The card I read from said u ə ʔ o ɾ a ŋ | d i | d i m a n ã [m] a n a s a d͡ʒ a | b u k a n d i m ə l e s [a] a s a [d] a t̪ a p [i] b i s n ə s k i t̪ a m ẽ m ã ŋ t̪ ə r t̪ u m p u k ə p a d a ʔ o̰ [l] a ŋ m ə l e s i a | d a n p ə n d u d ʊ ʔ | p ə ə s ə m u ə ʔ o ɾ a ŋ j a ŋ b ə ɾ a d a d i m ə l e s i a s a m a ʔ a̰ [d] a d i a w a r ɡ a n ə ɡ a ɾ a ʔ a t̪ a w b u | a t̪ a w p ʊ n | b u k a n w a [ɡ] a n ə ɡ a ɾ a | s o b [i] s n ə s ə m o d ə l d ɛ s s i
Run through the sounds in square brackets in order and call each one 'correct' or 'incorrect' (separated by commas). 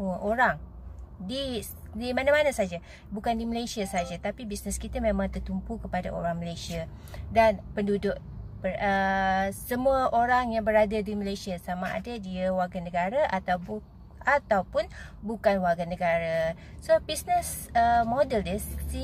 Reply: correct, incorrect, incorrect, correct, incorrect, correct, correct, correct